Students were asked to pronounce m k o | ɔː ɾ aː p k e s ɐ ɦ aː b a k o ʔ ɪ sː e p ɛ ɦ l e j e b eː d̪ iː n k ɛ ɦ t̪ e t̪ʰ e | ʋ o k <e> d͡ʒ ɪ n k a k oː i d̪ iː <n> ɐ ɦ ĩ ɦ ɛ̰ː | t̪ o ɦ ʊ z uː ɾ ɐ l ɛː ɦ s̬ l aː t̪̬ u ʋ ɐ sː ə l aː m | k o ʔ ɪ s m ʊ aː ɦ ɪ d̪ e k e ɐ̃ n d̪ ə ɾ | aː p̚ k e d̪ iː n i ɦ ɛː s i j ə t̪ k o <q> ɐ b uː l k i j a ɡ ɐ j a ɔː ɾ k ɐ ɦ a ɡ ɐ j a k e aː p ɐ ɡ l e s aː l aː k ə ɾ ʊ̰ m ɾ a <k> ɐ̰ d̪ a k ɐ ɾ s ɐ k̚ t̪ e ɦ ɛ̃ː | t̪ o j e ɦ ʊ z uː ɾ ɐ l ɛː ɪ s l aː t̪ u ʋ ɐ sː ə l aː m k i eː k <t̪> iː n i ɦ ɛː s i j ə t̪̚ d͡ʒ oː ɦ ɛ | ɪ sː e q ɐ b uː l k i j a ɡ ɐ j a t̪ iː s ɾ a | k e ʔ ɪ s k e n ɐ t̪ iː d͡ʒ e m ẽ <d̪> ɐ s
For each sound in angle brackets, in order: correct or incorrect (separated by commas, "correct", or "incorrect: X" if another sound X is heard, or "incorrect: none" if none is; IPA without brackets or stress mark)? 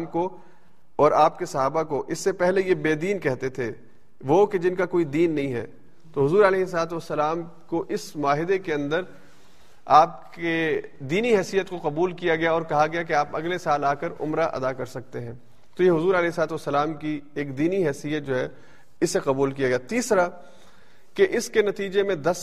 correct, incorrect: nː, correct, incorrect: ʔ, incorrect: d̪, correct